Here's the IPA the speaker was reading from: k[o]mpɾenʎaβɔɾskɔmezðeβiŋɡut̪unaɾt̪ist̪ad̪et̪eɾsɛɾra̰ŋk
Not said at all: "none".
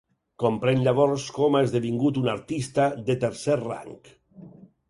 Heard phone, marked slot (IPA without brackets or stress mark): o